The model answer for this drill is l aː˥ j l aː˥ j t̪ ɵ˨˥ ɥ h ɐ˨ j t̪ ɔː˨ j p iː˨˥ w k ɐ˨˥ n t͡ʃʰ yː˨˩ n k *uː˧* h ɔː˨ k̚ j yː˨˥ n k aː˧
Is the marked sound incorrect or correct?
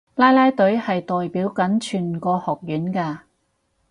incorrect